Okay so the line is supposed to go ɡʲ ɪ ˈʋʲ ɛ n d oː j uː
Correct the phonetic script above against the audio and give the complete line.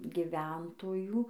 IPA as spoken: ɡʲ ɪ ˈʋʲ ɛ n t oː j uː